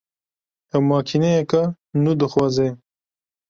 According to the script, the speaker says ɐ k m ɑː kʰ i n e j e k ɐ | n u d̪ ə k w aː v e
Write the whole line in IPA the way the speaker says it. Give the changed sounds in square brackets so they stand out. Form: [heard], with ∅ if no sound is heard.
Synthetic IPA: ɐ [∅] m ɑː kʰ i n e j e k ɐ | n u d̪ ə [x] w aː [z] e